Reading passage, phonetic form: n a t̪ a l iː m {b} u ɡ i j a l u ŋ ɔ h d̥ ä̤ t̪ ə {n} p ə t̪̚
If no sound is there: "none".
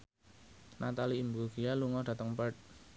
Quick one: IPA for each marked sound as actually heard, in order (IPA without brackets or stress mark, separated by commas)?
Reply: b, ŋ